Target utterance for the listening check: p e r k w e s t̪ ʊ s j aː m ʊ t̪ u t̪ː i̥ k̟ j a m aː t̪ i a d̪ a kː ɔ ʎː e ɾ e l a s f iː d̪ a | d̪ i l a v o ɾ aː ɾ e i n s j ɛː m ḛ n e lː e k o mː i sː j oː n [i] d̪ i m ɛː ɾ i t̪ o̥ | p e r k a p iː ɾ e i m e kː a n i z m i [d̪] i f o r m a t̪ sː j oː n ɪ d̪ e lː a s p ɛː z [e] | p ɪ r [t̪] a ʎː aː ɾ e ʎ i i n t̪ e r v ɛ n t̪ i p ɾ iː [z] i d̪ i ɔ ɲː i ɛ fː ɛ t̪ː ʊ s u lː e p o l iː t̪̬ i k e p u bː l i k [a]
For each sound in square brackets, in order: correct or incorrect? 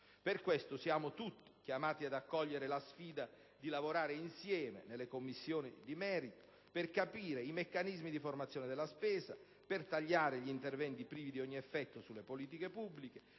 correct, correct, incorrect: a, correct, incorrect: v, incorrect: e

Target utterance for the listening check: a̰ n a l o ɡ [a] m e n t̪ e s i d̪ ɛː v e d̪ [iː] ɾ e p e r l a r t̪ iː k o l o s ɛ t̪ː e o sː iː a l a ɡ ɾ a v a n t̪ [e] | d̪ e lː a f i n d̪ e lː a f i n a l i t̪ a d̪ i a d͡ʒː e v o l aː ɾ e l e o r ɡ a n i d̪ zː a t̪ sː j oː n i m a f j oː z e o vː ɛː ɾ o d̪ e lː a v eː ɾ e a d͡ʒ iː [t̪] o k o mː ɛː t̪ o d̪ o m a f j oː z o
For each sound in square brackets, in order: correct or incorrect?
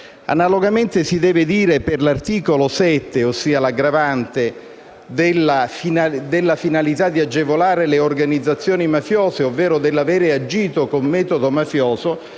correct, correct, correct, correct

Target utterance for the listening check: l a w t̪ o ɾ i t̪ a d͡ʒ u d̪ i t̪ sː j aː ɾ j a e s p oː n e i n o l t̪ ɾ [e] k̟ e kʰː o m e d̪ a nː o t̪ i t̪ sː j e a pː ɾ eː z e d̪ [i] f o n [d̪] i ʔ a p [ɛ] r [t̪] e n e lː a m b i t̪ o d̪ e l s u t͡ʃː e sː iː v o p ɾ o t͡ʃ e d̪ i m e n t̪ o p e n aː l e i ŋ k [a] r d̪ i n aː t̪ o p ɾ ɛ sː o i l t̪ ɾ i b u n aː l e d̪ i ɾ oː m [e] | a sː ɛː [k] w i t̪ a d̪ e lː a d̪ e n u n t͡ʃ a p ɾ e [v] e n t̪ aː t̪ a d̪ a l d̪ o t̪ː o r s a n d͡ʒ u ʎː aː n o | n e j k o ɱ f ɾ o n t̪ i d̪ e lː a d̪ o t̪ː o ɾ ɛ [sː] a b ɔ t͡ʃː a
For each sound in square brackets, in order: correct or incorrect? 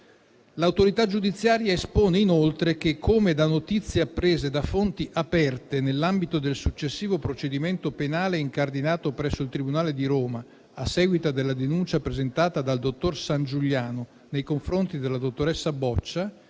correct, incorrect: a, incorrect: t̪, correct, correct, correct, incorrect: a, incorrect: ɡ, incorrect: z, correct

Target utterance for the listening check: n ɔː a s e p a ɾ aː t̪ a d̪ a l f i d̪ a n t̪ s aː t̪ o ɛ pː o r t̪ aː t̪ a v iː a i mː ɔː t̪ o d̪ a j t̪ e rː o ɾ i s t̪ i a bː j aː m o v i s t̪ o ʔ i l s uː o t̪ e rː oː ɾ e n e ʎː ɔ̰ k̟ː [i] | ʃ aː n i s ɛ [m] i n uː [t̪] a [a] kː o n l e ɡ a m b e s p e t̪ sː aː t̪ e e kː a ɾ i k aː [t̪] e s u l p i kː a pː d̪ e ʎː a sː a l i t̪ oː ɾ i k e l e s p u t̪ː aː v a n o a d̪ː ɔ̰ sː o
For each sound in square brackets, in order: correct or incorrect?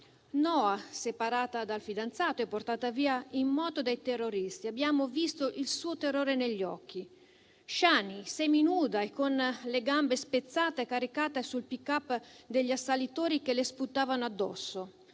correct, correct, incorrect: d̪, incorrect: e, correct

